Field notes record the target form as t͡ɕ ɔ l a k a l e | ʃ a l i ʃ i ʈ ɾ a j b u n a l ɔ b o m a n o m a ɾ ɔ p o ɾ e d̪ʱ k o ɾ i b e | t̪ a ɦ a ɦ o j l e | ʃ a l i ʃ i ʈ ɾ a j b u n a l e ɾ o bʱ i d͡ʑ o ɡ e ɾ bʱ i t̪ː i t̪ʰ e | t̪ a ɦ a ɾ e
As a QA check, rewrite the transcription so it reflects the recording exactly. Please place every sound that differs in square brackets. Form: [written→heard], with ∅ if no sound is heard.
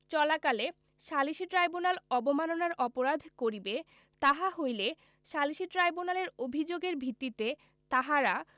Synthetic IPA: t͡ɕ ɔ l a k a l e | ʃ a l i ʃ i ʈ ɾ a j b u n a l ɔ b o m a n o [m→n] a ɾ ɔ p o ɾ [e→a] d̪ʱ k o ɾ i b e | t̪ a ɦ a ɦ o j l e | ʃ a l i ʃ i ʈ ɾ a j b u n a l e ɾ o bʱ i d͡ʑ o ɡ e ɾ bʱ i t̪ː i [t̪ʰ→t̪] e | t̪ a ɦ a ɾ [e→a]

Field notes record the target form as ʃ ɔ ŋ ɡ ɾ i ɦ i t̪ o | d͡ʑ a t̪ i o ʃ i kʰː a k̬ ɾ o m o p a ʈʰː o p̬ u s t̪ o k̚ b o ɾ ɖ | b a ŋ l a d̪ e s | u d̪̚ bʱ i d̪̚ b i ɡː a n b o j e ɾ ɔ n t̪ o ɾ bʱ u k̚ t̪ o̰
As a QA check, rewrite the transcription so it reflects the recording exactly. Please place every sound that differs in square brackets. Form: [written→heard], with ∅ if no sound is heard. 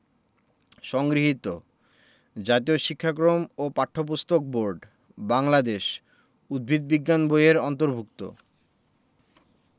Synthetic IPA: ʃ ɔ ŋ ɡ ɾ i ɦ i t̪ o | d͡ʑ a t̪ i o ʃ i kʰː a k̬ ɾ o m o p a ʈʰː o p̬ u s t̪ o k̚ b o ɾ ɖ | b a ŋ l a d̪ e [s→ʃ] | u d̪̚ bʱ i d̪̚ b i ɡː a n b o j e ɾ ɔ n t̪ o ɾ bʱ u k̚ t̪ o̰

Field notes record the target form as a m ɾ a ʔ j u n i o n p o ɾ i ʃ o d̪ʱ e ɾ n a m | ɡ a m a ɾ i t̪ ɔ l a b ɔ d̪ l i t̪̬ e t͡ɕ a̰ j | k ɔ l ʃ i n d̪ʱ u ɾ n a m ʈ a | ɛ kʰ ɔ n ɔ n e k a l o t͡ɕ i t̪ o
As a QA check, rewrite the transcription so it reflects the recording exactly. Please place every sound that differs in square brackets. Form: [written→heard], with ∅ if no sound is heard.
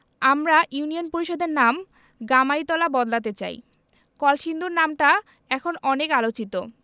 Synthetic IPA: a m ɾ a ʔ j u n i o n p o ɾ i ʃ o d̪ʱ e ɾ n a m | ɡ a m a ɾ i t̪ ɔ l a b ɔ d̪ l [i→a] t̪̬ e t͡ɕ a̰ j | k ɔ l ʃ i n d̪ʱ u ɾ n a m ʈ a | ɛ kʰ [ɔ→o] n ɔ n e k a l o t͡ɕ i t̪ o

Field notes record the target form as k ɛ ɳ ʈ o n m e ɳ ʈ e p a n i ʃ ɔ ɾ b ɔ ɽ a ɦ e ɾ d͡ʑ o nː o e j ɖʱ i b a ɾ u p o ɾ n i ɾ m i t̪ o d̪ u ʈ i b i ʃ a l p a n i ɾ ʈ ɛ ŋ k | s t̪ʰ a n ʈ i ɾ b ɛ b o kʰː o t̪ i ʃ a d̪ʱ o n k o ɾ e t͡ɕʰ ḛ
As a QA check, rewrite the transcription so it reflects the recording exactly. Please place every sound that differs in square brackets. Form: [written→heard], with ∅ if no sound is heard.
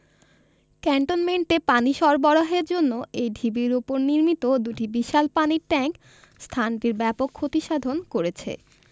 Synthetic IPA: k ɛ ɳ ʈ o n m e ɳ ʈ e p a n i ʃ ɔ ɾ b ɔ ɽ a ɦ e ɾ d͡ʑ o nː o e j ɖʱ i b [a→i] ɾ u p o ɾ n i ɾ m i t̪ o d̪ u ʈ i b i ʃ a l p a n i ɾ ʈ ɛ ŋ k | s t̪ʰ a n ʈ i ɾ b ɛ [b→p] o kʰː o t̪ i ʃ a d̪ʱ o n k o ɾ e t͡ɕʰ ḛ

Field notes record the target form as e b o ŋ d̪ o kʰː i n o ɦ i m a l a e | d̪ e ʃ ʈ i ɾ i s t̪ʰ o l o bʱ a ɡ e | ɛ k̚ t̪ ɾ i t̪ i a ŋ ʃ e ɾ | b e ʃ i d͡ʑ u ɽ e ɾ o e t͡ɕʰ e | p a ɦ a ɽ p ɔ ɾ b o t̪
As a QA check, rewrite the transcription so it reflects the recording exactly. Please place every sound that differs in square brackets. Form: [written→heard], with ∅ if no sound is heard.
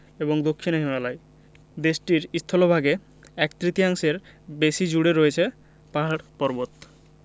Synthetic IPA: e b o ŋ d̪ o kʰː i n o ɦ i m a l a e | d̪ e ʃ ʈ i ɾ i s t̪ʰ o l o bʱ a ɡ e | ɛ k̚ t̪ ɾ i t̪ i a ŋ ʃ e ɾ | b e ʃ i d͡ʑ u ɽ e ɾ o e t͡ɕʰ e | p a ɦ a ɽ p ɔ ɾ b o t̪

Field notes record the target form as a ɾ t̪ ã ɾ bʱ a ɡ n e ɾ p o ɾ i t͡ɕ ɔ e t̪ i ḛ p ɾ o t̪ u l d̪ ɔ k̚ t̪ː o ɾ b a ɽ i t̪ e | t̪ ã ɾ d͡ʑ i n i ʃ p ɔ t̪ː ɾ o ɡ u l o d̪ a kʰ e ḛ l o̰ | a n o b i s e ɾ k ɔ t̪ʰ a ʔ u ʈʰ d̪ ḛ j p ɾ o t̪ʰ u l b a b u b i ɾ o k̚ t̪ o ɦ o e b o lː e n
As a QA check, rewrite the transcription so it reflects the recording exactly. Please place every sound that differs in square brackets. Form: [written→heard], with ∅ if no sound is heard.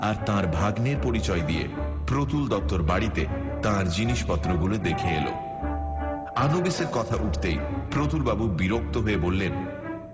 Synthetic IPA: a ɾ t̪ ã ɾ bʱ a ɡ n e ɾ p o ɾ i t͡ɕ ɔ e [t̪→d̪] i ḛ p ɾ o t̪ u l d̪ ɔ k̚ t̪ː o ɾ b a ɽ i t̪ e | t̪ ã ɾ d͡ʑ i n i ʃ p ɔ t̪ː ɾ o ɡ u l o d̪ [a→e] kʰ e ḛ l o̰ | a n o b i s e ɾ k ɔ t̪ʰ a ʔ u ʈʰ [d̪→t̪] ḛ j p ɾ o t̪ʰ u l b a b u b i ɾ o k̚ t̪ o ɦ o e b o lː e n

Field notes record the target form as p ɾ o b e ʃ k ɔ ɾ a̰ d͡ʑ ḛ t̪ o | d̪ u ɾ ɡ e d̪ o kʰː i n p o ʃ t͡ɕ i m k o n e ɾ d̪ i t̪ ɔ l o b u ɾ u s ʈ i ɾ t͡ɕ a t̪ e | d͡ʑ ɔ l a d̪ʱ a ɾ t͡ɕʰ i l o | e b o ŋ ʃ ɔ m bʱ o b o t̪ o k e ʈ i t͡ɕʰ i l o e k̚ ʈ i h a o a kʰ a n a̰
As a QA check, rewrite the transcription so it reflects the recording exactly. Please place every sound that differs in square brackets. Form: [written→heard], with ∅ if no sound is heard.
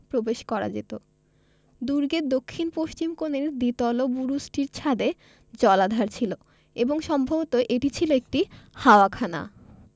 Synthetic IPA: p ɾ o b e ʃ k ɔ ɾ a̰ d͡ʑ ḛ t̪ o | d̪ u ɾ ɡ e d̪ o kʰː i n p o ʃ t͡ɕ i m k o n e ɾ d̪ i t̪ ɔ l o b u ɾ u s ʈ i ɾ [t͡ɕ→t͡ɕʰ] a [t̪→d̪] e | d͡ʑ ɔ l a d̪ʱ a ɾ t͡ɕʰ i l o | e b o ŋ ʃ ɔ m bʱ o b o t̪ o [k→ʔ] e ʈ i t͡ɕʰ i l o e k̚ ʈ i h a o a kʰ a n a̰

